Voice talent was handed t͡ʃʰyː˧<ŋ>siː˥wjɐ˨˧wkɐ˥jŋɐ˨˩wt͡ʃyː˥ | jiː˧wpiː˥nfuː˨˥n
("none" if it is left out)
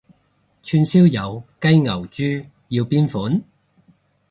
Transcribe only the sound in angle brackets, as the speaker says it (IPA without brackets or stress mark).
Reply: n